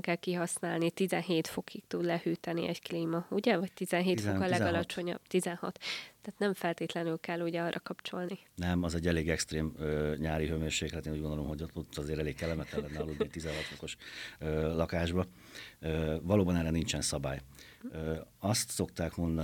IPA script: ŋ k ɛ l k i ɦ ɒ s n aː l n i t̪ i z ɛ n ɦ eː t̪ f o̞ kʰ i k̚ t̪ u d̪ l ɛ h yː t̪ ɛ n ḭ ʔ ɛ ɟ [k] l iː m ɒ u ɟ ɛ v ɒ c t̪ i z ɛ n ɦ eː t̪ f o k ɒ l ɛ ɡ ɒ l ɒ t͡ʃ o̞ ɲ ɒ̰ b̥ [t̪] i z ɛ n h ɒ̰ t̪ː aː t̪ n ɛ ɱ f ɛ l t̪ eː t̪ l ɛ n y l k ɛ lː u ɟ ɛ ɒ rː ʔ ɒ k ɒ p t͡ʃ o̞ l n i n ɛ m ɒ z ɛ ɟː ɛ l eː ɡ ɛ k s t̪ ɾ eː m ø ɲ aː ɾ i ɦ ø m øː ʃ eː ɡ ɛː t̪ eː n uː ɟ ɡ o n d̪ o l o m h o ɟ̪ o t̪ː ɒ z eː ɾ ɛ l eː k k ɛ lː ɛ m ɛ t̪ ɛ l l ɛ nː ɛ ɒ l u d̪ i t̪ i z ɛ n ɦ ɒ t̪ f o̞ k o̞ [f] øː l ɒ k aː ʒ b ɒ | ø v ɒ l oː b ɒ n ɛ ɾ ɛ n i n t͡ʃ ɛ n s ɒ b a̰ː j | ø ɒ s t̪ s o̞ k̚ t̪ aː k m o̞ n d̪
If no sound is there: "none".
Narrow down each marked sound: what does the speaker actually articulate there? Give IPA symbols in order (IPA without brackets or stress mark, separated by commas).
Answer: k, t̪, ʃ